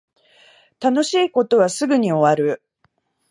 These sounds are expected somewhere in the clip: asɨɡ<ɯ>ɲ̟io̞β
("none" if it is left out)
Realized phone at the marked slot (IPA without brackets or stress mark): ɯ